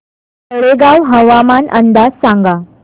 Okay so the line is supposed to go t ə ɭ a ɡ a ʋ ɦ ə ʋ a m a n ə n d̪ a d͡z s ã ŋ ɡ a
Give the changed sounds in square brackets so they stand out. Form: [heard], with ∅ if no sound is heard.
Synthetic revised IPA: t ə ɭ [e] ɡ a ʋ ɦ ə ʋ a m a n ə n d̪ a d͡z s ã ŋ ɡ a